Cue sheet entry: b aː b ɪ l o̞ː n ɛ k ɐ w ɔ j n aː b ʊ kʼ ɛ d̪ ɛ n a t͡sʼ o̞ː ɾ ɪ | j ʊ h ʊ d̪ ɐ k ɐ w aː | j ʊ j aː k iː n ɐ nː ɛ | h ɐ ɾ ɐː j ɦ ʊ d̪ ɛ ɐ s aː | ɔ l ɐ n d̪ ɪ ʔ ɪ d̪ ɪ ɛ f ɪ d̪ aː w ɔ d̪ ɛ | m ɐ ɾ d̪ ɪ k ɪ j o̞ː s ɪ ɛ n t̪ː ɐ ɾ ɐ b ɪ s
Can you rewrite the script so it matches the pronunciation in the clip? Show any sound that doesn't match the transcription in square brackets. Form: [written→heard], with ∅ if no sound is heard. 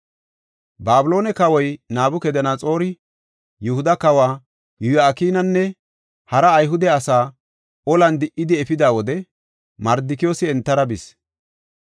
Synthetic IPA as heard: b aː b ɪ l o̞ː n ɛ k ɐ w ɔ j n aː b ʊ [kʼ→k] ɛ d̪ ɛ n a t͡sʼ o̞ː ɾ ɪ | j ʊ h ʊ d̪ ɐ k ɐ w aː | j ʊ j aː k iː n ɐ nː ɛ | h ɐ ɾ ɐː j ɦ ʊ d̪ ɛ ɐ s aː | ɔ l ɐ n d̪ ɪ ʔ ɪ d̪ ɪ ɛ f ɪ d̪ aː w ɔ d̪ ɛ | m ɐ ɾ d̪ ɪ k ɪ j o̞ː s ɪ ɛ n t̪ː ɐ ɾ ɐ b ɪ s